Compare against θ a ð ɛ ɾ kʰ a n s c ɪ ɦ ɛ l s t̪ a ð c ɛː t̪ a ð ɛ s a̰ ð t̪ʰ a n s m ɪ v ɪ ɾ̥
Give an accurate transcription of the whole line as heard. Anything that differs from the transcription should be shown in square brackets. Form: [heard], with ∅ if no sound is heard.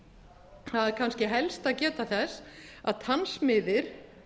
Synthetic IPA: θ a ð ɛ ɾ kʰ a n s c ɪ ɦ ɛ l s t̪ a ð c ɛː t̪ a [θ] ɛ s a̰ ð t̪ʰ a n s m ɪ [ð] ɪ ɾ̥